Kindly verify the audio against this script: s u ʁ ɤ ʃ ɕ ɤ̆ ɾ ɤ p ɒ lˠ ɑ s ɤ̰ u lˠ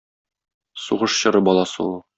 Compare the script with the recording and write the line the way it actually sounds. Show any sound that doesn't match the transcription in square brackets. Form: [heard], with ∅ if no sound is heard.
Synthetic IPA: s u ʁ ɤ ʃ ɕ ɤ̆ ɾ ɤ [b] ɒ lˠ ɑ s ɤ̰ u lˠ